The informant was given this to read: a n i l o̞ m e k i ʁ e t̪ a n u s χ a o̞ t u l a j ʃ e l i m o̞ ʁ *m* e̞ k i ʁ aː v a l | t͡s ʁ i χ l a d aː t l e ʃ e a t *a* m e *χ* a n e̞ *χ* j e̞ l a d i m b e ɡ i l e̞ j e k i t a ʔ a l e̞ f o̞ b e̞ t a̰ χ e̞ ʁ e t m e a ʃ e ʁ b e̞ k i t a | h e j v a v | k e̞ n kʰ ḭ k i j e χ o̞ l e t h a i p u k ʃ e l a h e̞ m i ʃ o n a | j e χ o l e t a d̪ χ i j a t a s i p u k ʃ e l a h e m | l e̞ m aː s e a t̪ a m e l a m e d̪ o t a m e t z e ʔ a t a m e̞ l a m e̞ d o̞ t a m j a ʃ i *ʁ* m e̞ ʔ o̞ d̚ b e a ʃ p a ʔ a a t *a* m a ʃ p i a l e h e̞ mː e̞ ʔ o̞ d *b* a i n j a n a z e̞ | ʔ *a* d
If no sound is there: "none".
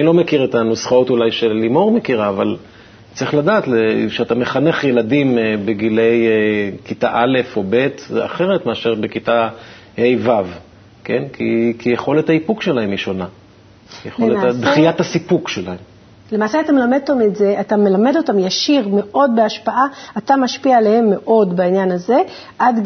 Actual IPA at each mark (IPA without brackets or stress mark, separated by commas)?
m, a, χ, χ, ʁ, a, b, a